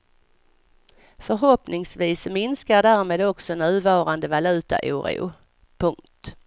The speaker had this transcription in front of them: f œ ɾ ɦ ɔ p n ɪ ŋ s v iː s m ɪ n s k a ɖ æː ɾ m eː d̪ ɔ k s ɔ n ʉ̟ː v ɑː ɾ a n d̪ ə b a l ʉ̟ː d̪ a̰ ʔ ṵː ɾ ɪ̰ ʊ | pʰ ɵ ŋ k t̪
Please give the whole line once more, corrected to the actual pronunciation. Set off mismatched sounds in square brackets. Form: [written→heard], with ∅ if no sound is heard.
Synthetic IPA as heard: f œ ɾ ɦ ɔ p n ɪ ŋ s v iː s m ɪ n s k a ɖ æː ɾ m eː d̪ ɔ k s ɔ n ʉ̟ː v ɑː ɾ a n d̪ ə [b→v] a l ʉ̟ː [d̪→t̪] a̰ ʔ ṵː ɾ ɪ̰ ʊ | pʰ ɵ ŋ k t̪

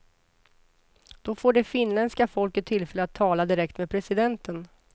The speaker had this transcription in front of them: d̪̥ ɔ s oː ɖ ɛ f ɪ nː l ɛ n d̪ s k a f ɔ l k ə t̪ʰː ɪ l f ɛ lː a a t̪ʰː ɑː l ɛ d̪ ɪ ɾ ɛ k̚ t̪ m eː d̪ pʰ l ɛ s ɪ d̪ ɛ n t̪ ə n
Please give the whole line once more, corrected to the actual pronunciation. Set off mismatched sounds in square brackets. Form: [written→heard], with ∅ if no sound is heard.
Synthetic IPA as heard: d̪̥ ɔ [s→f] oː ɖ ɛ f ɪ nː l ɛ n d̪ s k a f ɔ l k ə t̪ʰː ɪ l f ɛ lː [a→ə] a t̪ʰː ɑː l [ɛ→a] d̪ ɪ ɾ ɛ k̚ t̪ m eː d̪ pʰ [l→ɾ] ɛ s ɪ d̪ ɛ n t̪ ə n

